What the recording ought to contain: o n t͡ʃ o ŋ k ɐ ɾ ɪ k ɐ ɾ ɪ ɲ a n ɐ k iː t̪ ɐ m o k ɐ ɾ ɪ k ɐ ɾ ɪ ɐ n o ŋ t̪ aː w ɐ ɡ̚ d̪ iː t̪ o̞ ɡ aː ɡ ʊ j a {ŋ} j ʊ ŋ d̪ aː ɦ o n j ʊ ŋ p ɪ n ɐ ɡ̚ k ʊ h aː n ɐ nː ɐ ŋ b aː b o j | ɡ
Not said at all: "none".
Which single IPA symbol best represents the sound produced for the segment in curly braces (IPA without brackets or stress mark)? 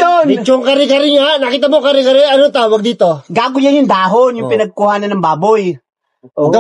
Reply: n